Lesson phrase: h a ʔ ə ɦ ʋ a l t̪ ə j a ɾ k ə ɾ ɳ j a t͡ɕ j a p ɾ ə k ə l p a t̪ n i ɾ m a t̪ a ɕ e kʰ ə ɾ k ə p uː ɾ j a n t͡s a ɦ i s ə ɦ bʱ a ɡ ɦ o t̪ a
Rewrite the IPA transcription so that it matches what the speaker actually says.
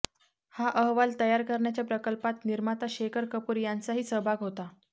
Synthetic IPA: h a ʔ ə ɦ ʋ a l t̪ ə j a ɾ k ə ɾ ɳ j a t͡ɕ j a p ɾ ə k ə l p a t̪ n i ɾ m a t̪ a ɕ e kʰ ə ɾ k ə p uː ɾ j a n t͡s a ɦ iː s ə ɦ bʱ a ɡ ɦ o t̪ a